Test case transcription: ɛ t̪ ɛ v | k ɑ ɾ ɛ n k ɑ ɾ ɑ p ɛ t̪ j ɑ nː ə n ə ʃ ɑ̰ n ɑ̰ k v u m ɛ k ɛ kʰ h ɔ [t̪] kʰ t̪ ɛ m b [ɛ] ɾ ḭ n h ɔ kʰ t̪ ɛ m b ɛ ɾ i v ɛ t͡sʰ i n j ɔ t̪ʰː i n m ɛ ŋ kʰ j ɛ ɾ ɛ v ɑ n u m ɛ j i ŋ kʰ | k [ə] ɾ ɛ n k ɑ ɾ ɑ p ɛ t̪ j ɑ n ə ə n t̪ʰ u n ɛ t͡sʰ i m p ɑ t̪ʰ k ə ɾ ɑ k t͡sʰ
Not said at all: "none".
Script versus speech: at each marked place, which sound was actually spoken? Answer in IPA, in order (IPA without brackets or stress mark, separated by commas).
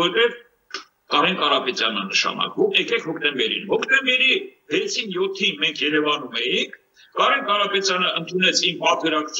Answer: none, ɛ, ɑ